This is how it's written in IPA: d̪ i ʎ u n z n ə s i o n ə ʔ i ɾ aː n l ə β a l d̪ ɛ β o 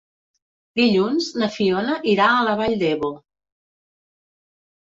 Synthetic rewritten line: d̪ i ʎ u n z n ə f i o n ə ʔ i ɾ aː l ə β a ʎ d̪ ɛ β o